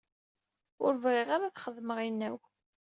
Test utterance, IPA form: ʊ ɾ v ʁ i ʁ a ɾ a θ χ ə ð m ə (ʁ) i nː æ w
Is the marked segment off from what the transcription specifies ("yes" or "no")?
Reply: no